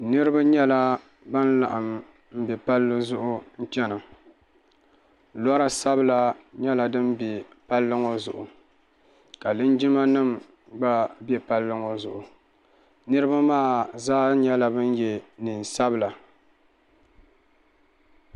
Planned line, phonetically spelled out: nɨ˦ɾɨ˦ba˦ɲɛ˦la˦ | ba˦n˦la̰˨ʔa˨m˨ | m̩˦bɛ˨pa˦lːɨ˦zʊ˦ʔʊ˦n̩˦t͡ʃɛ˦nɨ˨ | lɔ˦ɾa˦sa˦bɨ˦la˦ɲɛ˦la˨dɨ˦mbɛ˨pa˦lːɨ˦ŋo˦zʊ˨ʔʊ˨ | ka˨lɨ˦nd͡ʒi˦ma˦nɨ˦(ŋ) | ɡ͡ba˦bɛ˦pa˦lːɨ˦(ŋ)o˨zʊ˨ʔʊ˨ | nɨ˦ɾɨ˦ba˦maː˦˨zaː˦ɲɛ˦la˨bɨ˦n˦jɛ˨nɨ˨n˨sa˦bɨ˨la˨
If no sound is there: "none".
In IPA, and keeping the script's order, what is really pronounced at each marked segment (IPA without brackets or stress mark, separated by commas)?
m, ŋ